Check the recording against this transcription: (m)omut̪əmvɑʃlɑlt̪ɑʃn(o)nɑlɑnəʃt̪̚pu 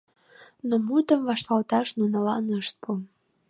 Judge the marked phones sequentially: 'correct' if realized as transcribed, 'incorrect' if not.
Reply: incorrect: n, incorrect: u

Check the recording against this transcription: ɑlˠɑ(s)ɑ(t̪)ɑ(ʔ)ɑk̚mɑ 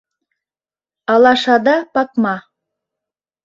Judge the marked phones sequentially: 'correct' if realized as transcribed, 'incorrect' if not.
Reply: incorrect: ʃ, incorrect: d̪, incorrect: p

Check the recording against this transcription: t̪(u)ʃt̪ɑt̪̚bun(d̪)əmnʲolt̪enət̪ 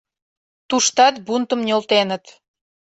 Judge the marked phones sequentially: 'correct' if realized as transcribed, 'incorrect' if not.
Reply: correct, incorrect: t̪

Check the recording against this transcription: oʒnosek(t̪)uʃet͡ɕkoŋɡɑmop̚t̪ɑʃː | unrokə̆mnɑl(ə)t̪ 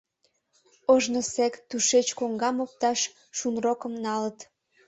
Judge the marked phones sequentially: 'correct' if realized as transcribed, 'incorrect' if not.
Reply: correct, correct

